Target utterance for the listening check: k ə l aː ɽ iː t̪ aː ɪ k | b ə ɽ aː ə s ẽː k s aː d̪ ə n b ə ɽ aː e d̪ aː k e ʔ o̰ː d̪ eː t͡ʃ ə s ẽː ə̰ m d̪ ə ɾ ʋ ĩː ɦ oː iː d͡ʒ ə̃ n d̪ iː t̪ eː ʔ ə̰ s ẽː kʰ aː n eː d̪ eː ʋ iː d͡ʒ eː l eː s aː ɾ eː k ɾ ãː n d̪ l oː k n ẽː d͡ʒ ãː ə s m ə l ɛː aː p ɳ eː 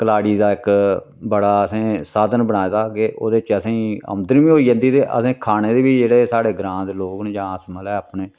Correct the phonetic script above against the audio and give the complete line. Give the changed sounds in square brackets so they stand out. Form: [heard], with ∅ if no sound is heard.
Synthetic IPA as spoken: k ə l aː ɽ iː [d̪] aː ɪ k | b ə ɽ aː ə s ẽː [∅] s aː d̪ ə n b ə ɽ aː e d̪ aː k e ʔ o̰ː d̪ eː t͡ʃ ə s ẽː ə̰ m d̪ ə ɾ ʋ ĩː ɦ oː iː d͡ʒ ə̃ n d̪ iː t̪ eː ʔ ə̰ s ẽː kʰ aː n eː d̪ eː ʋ iː d͡ʒ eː [ɽ] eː s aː [ɽ] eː [ɡ] ɾ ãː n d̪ l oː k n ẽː d͡ʒ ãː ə s m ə l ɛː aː p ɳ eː